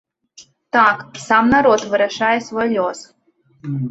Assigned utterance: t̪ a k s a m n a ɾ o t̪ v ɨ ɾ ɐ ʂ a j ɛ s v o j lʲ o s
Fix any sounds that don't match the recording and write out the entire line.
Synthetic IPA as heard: t̪ a k s a m n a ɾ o t̪ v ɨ ɾ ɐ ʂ a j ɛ s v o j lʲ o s